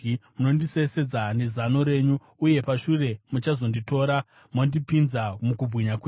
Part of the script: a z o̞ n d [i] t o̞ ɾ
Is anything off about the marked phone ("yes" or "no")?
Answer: no